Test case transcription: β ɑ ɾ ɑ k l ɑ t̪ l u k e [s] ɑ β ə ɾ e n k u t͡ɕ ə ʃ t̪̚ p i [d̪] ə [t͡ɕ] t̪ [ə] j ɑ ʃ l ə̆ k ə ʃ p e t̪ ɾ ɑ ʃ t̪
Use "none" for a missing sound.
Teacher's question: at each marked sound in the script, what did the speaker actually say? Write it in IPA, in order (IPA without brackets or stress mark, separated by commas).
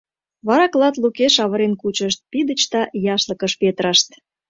ʃ, d̪, t͡ɕ, ɑ